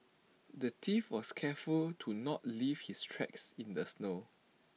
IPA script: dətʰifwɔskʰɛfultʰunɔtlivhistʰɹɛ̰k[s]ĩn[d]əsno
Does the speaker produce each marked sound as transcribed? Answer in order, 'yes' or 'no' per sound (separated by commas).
yes, yes